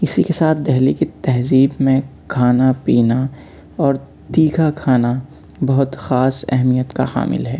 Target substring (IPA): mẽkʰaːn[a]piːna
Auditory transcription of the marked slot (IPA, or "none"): a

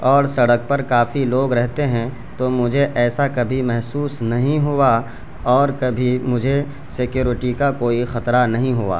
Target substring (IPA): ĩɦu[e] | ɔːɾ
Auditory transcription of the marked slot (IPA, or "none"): a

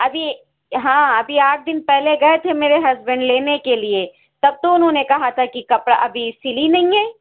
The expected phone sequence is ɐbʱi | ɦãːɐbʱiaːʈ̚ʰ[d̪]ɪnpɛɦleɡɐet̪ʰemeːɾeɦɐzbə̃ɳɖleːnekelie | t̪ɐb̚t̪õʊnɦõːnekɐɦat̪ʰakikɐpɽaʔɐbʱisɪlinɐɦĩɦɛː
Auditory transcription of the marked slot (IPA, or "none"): d̪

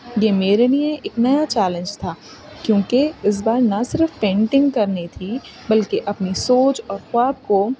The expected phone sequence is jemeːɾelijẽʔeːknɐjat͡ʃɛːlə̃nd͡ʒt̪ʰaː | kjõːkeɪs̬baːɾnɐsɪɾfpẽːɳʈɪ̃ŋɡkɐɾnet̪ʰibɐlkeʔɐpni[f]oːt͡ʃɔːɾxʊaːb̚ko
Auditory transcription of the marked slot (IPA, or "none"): s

